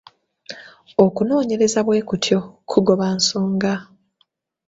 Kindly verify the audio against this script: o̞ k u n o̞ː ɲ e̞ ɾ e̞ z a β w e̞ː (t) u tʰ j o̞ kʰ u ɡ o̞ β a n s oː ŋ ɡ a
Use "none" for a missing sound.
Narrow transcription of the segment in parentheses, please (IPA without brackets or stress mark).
k